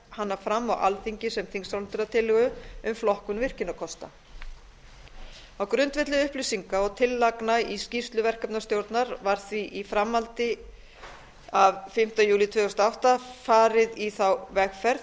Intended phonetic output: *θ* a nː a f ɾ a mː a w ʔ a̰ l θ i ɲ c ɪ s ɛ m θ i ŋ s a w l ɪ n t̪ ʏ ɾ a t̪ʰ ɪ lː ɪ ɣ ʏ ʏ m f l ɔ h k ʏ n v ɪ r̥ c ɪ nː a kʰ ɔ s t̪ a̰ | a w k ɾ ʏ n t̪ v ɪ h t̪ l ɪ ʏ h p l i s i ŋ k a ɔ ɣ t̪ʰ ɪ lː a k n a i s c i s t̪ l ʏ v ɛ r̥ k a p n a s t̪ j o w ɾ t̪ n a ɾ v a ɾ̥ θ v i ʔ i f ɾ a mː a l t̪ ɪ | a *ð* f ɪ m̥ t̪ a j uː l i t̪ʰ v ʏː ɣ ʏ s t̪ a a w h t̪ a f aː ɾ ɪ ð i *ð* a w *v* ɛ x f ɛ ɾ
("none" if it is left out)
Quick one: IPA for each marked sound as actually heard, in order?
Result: h, v, θ, v

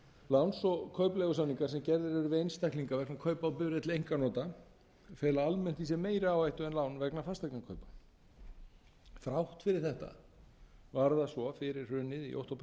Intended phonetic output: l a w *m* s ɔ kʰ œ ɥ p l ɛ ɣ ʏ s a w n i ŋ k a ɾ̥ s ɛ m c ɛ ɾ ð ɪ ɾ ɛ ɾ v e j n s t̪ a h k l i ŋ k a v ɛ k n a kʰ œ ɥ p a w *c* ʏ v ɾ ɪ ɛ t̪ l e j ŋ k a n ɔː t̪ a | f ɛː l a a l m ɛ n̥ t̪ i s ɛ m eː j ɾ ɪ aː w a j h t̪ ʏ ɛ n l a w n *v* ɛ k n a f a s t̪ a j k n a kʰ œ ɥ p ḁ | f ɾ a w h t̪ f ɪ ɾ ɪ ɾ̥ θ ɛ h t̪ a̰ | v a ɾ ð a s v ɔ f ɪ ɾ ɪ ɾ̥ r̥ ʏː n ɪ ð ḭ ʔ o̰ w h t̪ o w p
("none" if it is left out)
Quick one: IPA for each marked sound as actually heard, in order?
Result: n, p, v

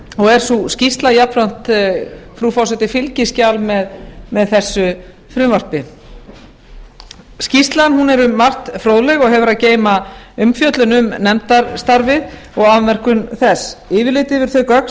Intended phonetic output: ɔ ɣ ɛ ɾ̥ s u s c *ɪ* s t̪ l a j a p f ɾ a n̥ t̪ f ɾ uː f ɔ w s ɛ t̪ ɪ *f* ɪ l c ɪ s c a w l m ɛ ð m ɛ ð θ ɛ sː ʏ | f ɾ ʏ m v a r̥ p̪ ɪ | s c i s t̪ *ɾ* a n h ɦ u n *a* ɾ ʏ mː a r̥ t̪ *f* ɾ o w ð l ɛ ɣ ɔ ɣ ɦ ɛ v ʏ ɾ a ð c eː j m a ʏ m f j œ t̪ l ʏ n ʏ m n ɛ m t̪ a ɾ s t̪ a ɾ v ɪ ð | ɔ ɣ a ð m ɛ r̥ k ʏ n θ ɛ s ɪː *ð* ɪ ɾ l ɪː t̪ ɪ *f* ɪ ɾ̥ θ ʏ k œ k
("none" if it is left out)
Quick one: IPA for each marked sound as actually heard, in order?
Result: i, f, l, ɛ, f, v, v

